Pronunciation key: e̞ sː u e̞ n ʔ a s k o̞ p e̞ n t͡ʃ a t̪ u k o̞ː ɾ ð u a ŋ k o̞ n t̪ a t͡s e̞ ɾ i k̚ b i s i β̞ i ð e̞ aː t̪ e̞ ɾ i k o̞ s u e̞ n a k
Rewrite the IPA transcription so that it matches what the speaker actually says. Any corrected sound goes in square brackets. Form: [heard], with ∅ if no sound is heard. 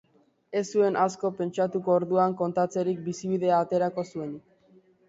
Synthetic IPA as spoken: e̞ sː u e̞ n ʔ a s k o̞ p e̞ n t͡ʃ a t̪ u k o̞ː ɾ ð u a ŋ k o̞ n t̪ a t͡s e̞ ɾ i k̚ b i s i β̞ i ð e̞ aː t̪ e̞ ɾ [a] k o̞ s u e̞ n [i] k